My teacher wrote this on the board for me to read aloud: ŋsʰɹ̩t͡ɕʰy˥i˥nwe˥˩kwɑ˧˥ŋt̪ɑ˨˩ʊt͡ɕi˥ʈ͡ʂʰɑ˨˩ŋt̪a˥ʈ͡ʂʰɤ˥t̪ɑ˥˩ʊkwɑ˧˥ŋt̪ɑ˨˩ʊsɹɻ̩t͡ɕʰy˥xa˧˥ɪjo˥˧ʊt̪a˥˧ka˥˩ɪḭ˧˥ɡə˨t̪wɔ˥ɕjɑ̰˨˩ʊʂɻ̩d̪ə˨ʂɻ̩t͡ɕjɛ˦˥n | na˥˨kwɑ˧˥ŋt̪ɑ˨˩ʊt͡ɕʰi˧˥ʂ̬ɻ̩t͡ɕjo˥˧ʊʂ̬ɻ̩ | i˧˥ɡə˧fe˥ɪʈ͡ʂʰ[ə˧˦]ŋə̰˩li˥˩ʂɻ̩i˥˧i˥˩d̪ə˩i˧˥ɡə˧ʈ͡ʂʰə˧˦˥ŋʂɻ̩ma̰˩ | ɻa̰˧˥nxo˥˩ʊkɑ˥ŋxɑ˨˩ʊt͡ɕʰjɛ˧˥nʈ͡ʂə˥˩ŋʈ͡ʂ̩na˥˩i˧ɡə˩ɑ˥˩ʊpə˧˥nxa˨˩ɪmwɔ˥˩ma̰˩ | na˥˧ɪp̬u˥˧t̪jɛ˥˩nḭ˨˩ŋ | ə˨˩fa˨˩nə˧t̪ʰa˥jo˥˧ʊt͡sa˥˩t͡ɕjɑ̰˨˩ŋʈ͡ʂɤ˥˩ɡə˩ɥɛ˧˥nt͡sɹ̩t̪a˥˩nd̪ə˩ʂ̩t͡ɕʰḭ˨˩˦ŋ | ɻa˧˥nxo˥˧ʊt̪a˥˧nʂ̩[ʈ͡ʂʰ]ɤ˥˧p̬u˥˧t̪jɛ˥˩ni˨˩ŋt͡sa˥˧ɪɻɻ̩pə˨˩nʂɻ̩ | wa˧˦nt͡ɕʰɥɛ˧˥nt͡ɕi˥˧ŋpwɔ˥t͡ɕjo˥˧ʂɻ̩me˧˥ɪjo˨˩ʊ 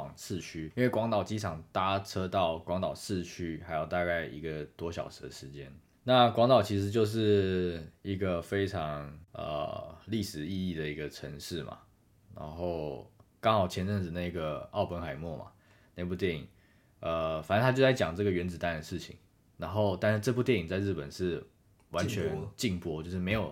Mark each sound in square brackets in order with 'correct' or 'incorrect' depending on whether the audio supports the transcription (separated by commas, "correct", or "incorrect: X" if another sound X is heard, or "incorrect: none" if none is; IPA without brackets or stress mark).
incorrect: ɑ˧˦, incorrect: ʈ͡ʂ